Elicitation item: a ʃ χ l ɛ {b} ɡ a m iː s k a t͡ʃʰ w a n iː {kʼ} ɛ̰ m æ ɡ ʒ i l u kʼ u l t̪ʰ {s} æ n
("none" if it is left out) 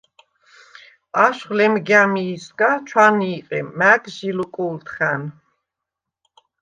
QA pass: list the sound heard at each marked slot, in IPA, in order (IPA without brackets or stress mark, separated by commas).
m, qʼ, χ